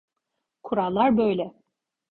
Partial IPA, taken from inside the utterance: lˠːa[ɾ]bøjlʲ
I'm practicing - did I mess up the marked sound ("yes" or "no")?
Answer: no